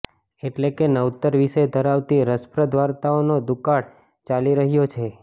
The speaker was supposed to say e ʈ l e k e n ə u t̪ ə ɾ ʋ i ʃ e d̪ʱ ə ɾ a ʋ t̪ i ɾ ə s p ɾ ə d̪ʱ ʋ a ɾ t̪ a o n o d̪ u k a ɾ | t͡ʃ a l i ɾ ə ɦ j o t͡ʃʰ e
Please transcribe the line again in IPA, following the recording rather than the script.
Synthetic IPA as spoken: e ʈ l e k e n ə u t̪ ə ɾ ʋ i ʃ e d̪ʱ ə ɾ a ʋ t̪ i ɾ ə s p ɾ ə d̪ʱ ʋ a ɾ t̪ a o n o d̪ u k a ɽ | t͡ʃ a l i ɾ ə ɦ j o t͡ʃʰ e